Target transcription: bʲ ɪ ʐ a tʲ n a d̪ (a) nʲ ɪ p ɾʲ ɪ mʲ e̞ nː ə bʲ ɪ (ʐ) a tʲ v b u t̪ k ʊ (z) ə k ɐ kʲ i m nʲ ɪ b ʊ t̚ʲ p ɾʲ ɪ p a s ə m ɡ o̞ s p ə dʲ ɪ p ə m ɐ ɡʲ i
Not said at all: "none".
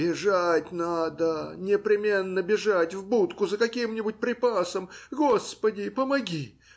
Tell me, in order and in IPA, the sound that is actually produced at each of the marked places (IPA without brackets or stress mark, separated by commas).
ə, ʐ, z